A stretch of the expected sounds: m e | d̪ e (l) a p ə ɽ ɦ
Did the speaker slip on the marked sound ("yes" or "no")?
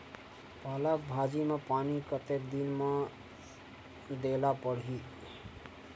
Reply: no